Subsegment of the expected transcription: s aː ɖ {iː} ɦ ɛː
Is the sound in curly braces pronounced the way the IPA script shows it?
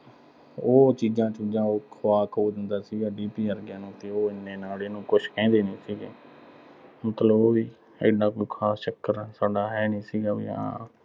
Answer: no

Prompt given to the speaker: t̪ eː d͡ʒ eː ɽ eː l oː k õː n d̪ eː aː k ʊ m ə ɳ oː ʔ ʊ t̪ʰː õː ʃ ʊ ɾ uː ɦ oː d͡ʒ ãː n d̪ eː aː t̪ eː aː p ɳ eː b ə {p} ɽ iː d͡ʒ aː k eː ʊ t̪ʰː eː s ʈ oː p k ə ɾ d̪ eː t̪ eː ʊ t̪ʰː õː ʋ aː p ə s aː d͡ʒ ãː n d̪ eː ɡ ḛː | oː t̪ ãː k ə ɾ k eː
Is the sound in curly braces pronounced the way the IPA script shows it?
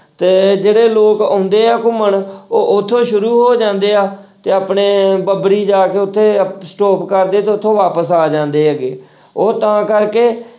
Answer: no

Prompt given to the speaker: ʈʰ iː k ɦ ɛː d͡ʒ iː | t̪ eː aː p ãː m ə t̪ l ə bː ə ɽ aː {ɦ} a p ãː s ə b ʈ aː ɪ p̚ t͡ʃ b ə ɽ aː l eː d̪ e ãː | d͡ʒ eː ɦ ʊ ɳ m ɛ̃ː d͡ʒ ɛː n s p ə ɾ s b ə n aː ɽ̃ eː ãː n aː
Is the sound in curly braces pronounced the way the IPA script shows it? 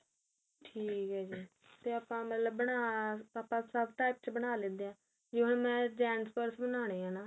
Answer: no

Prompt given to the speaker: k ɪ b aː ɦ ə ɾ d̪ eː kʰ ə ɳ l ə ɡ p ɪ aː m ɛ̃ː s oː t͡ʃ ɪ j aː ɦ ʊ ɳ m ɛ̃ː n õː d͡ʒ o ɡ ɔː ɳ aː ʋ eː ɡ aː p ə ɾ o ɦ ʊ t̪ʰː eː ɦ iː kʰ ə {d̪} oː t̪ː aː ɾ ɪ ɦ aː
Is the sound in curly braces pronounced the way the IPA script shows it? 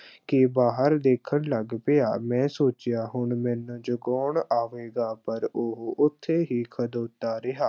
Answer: yes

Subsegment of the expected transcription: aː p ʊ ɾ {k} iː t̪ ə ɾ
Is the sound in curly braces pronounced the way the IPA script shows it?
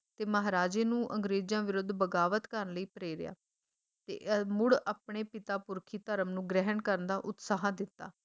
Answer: no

